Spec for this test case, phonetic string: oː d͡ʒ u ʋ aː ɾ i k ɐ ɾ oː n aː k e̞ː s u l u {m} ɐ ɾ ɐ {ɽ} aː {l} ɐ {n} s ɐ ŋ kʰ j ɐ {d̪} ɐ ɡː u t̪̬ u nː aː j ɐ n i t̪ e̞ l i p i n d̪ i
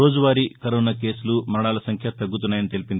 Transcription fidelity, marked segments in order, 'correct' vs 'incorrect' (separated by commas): correct, correct, correct, incorrect, incorrect